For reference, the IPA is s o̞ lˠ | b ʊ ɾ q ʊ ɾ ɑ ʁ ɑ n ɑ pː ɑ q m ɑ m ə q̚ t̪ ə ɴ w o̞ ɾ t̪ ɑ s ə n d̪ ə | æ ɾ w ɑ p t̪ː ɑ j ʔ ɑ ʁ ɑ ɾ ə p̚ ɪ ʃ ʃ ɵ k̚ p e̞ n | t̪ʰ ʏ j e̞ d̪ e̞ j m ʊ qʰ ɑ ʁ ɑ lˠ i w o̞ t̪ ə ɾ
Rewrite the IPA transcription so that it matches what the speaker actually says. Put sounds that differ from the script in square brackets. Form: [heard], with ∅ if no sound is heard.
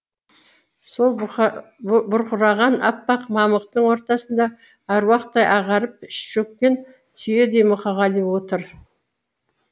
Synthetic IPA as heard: s o̞ lˠ | b ʊ ɾ q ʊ ɾ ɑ ʁ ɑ n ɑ pː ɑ q m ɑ m ə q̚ t̪ ə ɴ w o̞ ɾ t̪ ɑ s ə n d̪ [ɑ] | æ ɾ w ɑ [q] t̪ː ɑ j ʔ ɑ ʁ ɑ ɾ ə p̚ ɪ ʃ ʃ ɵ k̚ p e̞ n | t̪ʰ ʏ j e̞ d̪ e̞ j m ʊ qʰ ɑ ʁ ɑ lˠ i w o̞ t̪ ə ɾ